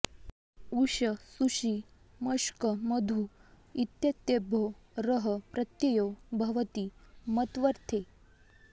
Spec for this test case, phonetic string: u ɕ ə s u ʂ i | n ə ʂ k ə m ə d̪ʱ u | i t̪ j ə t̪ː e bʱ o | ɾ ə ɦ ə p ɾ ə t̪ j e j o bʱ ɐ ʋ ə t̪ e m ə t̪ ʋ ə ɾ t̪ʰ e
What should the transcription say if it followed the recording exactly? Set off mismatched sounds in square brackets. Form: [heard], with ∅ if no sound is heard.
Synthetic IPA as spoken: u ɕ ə s u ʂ i | [m] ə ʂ k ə m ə d̪ʱ u | i t̪ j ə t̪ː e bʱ o | ɾ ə ɦ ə p ɾ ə t̪ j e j o bʱ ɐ ʋ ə t̪ [i] m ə t̪ ʋ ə ɾ t̪ʰ e